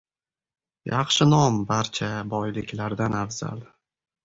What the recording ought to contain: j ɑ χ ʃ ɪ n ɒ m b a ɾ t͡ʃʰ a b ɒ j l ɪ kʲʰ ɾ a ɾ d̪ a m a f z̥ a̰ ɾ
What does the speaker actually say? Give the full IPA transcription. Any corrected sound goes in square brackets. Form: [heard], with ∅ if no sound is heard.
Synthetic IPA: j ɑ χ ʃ ɪ n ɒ m b a ɾ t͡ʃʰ a b ɒ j l ɪ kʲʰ [l] a ɾ d̪ a [n] a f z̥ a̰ [l]